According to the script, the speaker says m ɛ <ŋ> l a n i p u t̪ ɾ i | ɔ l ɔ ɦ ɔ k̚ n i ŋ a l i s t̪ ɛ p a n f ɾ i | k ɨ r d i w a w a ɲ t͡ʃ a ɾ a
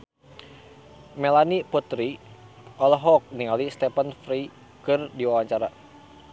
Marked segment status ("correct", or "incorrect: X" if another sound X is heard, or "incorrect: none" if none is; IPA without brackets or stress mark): incorrect: none